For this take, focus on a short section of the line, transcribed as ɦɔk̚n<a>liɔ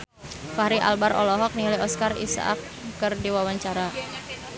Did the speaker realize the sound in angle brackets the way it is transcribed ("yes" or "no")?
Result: no